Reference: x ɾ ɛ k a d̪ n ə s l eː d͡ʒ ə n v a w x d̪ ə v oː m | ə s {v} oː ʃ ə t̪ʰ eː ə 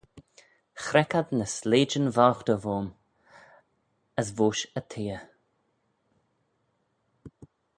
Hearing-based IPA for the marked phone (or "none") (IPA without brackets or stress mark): v